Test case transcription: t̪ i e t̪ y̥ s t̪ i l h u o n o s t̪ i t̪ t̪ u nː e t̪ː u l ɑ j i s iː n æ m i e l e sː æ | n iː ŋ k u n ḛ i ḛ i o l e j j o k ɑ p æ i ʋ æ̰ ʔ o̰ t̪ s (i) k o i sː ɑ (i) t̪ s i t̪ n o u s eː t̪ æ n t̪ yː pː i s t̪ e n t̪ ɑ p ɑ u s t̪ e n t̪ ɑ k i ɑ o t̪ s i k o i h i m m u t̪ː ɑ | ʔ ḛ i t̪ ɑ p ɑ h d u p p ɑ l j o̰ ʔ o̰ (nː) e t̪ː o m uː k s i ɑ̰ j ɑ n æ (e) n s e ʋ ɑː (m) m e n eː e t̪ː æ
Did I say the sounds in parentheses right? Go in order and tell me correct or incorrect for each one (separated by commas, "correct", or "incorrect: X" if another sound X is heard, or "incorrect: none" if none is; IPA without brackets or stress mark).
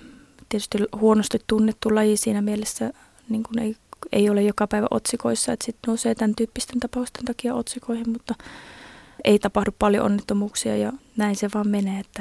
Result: correct, incorrect: e, correct, incorrect: i, correct